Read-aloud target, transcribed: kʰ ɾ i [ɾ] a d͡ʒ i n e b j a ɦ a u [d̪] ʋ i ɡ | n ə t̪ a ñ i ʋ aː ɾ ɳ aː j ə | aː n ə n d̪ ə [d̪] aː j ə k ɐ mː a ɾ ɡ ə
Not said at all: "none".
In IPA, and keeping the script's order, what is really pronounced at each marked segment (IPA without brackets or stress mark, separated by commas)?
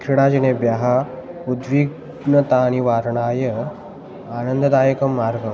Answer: ɽ, d̪, d̪